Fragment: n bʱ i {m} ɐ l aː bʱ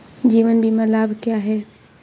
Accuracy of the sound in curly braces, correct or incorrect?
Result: correct